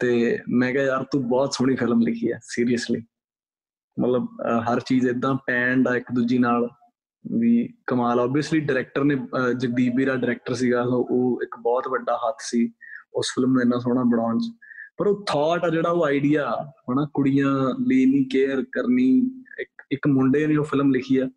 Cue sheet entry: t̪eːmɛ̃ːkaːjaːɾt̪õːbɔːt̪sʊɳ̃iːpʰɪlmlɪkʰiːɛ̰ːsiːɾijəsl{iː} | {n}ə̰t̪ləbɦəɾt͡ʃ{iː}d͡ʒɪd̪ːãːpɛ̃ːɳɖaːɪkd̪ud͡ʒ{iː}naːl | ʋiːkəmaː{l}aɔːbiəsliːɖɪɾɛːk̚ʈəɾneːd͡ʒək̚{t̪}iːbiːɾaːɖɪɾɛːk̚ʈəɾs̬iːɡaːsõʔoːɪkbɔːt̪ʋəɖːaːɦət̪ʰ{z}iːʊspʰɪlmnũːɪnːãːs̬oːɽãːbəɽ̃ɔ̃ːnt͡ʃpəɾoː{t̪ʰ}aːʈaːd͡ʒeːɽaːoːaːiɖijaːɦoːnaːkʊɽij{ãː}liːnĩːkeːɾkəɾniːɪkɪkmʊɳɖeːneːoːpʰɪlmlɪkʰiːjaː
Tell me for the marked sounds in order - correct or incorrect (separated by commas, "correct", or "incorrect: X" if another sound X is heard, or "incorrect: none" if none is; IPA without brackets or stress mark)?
correct, incorrect: m, correct, correct, correct, incorrect: d̪, incorrect: s, correct, correct